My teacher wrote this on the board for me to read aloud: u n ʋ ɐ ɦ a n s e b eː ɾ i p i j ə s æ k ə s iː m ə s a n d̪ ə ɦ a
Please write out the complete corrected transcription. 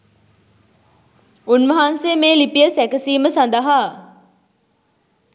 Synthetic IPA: u n ʋ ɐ ɦ a n s e m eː l i p i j ə s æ k ə s iː m ə s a n d̪ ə ɦ a